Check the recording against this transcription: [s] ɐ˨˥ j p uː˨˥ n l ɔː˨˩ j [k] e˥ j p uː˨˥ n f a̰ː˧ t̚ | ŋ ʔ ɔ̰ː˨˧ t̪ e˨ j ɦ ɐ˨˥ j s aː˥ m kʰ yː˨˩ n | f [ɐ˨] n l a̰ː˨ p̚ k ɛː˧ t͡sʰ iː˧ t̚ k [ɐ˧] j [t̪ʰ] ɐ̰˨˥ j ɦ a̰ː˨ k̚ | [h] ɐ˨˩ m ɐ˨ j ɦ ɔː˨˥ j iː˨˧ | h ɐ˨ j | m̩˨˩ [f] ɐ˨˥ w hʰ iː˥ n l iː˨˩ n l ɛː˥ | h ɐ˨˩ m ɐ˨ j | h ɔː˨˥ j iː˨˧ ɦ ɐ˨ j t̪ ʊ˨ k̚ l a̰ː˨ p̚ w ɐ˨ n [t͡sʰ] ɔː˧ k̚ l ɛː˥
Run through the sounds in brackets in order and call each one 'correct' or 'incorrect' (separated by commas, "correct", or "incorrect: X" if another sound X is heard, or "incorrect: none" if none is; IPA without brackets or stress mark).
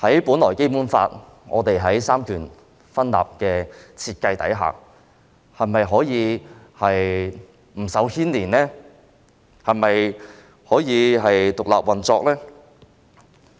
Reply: incorrect: h, correct, incorrect: ɐ˥, correct, incorrect: t̪, correct, incorrect: s, incorrect: t͡s